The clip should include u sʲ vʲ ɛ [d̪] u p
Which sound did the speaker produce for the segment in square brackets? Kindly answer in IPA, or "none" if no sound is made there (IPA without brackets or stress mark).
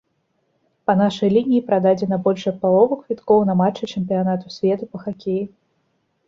t̪